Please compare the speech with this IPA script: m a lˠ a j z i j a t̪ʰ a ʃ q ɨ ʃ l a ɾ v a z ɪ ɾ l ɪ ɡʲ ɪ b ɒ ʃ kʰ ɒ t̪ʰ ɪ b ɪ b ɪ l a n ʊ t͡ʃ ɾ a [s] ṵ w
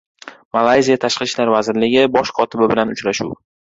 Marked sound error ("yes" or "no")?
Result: yes